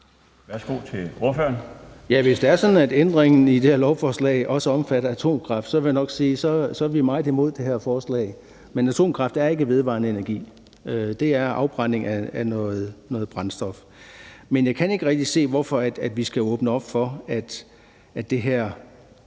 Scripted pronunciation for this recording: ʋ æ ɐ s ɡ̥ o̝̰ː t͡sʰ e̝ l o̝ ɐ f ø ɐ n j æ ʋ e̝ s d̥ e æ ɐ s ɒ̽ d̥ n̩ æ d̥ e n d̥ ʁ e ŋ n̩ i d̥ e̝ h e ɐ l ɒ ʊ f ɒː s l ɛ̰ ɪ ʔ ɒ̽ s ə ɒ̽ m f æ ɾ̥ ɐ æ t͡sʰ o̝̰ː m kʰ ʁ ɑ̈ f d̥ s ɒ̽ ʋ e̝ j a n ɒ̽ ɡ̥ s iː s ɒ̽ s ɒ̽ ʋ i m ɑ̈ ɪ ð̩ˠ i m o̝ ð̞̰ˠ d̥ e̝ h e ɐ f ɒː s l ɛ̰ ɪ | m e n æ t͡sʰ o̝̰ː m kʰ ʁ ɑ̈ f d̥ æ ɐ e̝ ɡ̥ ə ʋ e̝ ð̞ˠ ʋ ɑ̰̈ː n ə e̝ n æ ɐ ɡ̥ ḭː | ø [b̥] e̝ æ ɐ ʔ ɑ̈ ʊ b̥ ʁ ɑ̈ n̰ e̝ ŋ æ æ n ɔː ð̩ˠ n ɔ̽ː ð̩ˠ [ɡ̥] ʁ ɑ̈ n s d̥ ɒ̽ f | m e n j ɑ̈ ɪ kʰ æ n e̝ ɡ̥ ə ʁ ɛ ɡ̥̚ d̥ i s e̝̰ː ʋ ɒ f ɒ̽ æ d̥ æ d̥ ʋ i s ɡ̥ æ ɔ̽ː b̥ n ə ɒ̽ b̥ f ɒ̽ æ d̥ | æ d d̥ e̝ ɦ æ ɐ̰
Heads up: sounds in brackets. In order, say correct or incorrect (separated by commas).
incorrect, incorrect